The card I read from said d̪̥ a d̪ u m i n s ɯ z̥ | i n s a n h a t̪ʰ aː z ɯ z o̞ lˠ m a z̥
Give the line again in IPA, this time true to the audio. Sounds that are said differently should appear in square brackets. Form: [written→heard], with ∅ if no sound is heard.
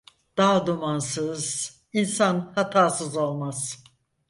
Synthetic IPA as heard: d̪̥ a d̪ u m [i→a] n s ɯ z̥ | i n s a n h a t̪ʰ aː [z→s] ɯ z o̞ lˠ m a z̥